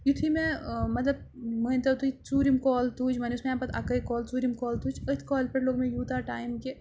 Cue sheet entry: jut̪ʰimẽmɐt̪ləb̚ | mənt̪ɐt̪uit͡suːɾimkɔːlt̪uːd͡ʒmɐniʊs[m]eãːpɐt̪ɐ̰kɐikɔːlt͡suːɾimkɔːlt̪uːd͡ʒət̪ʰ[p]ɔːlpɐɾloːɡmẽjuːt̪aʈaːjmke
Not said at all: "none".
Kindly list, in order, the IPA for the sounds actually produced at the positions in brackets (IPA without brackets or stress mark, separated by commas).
m, k